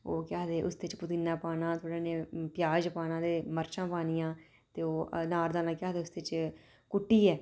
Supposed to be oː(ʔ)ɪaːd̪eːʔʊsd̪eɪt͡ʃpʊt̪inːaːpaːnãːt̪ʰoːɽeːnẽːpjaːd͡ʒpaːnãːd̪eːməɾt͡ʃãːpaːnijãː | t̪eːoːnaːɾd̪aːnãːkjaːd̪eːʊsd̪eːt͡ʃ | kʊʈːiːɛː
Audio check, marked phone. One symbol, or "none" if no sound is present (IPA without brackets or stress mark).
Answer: k